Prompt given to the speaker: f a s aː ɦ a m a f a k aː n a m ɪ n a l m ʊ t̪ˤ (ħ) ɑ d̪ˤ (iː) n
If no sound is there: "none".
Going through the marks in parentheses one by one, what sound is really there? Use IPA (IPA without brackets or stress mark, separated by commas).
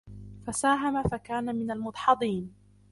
ħ, iː